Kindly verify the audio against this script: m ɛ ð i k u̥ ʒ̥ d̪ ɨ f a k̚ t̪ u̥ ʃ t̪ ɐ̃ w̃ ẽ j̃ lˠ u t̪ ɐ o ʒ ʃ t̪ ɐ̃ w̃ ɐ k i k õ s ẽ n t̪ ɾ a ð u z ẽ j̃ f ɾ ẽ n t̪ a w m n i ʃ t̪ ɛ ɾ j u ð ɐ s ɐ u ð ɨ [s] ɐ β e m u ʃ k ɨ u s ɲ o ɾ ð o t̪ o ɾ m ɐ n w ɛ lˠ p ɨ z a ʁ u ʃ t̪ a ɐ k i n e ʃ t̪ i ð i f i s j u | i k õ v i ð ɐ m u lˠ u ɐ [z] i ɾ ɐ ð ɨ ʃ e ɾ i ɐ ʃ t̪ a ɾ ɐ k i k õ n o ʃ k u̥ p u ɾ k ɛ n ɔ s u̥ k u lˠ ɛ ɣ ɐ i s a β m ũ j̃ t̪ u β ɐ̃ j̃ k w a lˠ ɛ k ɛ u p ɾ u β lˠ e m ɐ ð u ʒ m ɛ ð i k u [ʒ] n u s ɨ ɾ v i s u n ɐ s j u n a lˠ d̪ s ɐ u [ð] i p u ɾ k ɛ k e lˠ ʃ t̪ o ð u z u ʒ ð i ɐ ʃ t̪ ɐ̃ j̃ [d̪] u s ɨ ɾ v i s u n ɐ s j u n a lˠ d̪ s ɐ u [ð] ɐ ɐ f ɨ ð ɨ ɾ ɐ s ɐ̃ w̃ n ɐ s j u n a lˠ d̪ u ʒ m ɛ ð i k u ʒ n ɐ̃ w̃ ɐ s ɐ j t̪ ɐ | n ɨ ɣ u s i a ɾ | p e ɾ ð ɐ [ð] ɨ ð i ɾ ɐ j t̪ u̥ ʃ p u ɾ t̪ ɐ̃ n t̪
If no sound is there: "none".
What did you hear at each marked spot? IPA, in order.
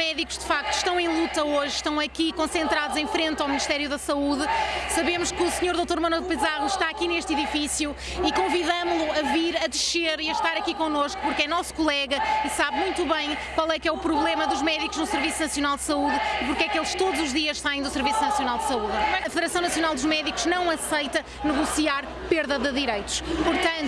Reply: s, v, ʒ, ð, d̪, ð, ð

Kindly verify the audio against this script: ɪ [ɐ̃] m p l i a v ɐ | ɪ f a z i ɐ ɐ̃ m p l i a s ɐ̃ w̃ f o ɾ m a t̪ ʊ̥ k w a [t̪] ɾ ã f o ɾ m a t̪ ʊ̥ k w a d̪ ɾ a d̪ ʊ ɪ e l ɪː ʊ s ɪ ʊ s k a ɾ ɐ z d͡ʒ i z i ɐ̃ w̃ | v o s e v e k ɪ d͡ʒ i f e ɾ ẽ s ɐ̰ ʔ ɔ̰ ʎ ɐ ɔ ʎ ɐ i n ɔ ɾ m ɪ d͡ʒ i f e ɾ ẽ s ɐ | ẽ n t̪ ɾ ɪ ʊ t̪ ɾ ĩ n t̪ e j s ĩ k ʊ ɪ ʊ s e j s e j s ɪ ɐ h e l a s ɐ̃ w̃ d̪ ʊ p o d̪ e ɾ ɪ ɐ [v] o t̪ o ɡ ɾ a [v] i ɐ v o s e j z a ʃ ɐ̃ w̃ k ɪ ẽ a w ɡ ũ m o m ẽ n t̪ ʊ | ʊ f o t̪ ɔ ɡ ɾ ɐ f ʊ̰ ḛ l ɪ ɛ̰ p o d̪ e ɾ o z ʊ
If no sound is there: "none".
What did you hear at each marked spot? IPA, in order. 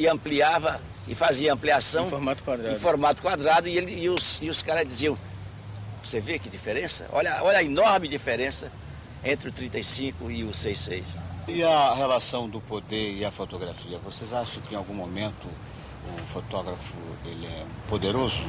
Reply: ɐ̃, d̪, f, f

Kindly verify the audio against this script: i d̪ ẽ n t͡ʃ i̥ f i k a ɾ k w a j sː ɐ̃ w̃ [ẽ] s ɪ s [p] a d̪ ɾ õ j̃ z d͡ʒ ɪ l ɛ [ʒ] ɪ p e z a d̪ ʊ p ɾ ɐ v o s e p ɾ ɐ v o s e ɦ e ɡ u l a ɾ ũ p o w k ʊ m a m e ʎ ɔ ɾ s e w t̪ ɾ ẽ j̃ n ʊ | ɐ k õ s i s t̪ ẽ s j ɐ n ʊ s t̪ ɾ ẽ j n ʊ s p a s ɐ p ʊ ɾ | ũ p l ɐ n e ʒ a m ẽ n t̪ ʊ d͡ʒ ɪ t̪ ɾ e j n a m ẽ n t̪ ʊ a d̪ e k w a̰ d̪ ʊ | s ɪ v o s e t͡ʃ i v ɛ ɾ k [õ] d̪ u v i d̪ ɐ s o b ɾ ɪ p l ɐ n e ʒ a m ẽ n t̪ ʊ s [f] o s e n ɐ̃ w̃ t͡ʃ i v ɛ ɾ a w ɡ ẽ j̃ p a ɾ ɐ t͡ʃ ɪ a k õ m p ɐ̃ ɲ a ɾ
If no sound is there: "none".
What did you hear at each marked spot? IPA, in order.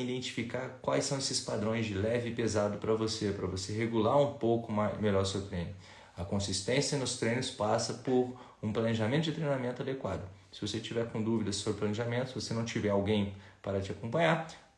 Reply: e, p, v, õ, v

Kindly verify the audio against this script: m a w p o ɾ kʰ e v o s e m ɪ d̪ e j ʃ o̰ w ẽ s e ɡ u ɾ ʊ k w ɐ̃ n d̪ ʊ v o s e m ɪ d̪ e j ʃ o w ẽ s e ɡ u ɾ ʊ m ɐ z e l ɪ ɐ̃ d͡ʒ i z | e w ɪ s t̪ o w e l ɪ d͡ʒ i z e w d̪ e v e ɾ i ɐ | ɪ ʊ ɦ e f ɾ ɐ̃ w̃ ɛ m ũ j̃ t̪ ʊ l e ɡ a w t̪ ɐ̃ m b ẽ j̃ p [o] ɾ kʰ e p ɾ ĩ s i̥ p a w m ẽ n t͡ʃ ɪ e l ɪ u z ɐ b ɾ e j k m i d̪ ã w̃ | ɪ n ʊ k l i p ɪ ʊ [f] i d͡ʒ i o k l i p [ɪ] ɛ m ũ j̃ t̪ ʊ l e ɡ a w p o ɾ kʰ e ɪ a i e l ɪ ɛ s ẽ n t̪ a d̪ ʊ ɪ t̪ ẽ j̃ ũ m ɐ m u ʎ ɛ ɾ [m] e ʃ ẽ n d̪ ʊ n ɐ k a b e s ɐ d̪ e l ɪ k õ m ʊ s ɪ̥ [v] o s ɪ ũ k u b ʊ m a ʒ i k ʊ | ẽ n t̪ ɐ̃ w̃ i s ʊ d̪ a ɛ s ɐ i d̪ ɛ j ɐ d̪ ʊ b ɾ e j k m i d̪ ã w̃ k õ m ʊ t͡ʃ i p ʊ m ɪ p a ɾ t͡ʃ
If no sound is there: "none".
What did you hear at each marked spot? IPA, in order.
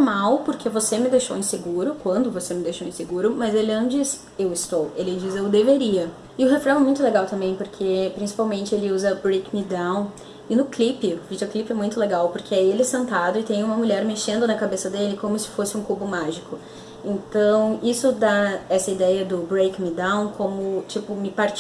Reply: o, v, ɪ, m, f

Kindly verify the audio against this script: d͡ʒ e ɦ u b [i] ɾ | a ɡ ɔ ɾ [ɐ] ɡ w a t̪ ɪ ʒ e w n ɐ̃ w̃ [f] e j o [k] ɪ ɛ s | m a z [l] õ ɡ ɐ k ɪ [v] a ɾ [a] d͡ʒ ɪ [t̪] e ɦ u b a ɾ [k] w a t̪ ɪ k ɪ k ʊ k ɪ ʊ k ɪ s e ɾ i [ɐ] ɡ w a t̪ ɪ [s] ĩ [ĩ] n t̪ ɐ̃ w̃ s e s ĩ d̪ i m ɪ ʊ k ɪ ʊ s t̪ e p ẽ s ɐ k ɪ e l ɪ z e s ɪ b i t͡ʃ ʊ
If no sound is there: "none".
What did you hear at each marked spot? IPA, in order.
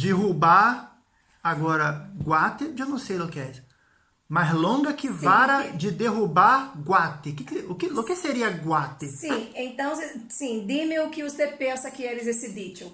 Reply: a, ɐ, s, k, l, v, ɐ, d̪, ɡ, ɐ, s, ẽ

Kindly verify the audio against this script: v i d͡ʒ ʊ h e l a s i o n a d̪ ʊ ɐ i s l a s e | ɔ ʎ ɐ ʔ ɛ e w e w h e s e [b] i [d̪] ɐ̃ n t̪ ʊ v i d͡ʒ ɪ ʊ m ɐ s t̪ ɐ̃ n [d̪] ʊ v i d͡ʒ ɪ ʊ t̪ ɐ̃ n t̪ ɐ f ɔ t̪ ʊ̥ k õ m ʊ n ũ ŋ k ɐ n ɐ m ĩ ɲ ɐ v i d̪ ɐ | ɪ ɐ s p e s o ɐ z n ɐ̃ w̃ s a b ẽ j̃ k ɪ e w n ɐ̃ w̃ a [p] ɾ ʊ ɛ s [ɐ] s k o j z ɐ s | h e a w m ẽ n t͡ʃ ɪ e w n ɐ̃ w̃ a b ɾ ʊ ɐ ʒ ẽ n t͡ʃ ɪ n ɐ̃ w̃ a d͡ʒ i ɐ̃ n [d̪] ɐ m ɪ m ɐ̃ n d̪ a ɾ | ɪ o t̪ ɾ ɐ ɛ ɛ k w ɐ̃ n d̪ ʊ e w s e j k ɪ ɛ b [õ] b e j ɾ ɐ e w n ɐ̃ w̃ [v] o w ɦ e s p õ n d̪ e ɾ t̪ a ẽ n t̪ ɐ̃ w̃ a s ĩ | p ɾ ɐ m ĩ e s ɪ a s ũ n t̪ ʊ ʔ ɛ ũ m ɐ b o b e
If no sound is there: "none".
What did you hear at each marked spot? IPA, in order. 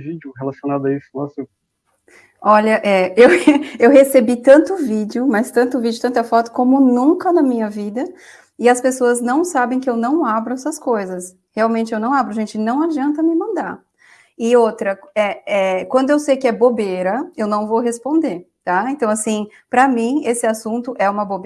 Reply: b, t̪, t̪, b, ɐ, t̪, o, v

